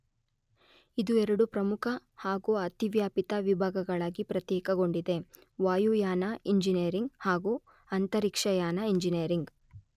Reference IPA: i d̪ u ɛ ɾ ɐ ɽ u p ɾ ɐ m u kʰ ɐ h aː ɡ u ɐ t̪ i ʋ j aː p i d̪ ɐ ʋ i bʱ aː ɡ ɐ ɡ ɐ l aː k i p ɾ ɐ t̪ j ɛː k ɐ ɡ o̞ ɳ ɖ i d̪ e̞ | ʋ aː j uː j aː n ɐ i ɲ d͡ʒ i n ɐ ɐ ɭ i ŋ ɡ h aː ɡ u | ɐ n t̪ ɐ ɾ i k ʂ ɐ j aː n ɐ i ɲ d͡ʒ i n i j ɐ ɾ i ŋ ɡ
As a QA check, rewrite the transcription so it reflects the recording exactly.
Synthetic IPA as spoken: i d̪ u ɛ ɾ ɐ ɽ u p ɾ ɐ m u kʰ ɐ h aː ɡ u ɐ t̪ i ʋ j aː p i t̪ ɐ ʋ i bʱ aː ɡ ɐ ɡ ɐ ɭ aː ɡ i p ɾ ɐ t̪ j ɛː k ɐ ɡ o̞ ɳ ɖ i d̪ e̞ | ʋ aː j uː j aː n ɐ i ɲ d͡ʒ i n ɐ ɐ ɾ i ŋ ɡ h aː ɡ u | ɐ n t̪ ɐ ɾ i k ʂ ɐ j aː n ɐ i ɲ d͡ʒ i n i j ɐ ɾ i ŋ ɡ